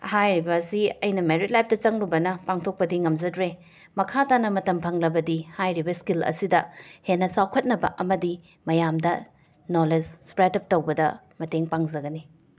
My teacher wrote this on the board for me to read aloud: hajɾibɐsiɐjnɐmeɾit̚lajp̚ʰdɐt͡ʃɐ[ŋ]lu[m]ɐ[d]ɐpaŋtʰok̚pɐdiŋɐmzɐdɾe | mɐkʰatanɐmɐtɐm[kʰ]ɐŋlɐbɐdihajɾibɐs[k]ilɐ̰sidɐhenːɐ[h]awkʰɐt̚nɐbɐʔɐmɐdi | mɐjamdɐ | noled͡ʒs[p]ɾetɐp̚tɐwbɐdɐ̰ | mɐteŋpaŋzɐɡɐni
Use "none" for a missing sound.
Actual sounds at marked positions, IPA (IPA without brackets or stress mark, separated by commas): ŋ, b, n, pʰ, k, s, p